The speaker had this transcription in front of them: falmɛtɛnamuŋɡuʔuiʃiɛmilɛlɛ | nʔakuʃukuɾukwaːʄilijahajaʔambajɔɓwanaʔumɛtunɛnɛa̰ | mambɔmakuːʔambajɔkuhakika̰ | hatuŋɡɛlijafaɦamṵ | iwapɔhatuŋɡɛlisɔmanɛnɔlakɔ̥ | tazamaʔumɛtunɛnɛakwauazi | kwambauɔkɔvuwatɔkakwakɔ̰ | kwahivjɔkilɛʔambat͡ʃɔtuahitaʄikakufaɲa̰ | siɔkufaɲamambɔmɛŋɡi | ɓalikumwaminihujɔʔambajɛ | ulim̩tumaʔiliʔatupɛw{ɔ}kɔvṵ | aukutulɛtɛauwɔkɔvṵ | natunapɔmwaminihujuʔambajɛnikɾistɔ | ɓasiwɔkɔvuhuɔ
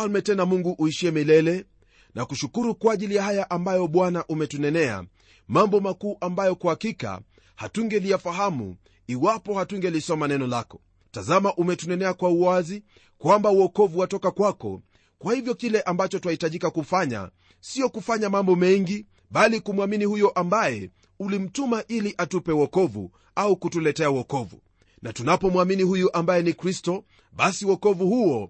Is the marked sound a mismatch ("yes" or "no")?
no